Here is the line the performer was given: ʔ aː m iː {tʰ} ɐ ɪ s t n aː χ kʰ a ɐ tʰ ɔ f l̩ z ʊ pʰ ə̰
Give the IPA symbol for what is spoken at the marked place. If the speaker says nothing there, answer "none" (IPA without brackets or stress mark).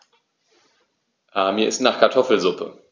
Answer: none